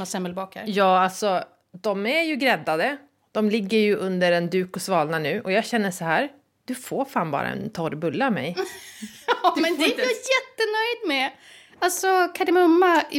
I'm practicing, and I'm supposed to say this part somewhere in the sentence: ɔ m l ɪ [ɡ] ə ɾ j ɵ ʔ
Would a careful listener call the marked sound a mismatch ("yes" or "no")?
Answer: yes